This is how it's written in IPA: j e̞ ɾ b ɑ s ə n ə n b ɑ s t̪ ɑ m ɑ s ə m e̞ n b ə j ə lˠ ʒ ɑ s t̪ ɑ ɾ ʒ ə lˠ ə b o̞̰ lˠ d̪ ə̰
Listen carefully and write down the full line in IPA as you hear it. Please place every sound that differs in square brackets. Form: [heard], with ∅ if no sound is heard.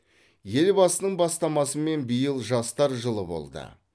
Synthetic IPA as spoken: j e̞ [l] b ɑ s ə n ə [ɴ] b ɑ s t̪ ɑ m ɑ s ə m e̞ n b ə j ə lˠ ʒ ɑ s t̪ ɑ ɾ ʒ ə lˠ ə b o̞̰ lˠ d̪ ə̰